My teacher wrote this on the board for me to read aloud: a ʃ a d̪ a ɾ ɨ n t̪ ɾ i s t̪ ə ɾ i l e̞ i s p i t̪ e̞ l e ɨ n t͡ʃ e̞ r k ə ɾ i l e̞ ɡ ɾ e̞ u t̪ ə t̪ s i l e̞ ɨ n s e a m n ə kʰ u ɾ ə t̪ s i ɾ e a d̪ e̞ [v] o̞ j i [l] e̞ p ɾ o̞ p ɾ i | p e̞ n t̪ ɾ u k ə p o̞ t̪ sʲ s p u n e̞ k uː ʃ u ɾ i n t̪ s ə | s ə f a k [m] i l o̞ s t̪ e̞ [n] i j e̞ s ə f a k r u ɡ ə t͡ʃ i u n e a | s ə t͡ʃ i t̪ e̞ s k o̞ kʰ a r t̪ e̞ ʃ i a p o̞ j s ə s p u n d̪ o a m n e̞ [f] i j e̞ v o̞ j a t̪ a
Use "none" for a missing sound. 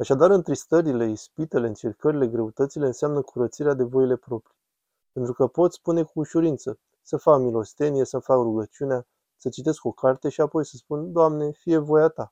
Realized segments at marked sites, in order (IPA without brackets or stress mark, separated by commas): v, l, m, n, f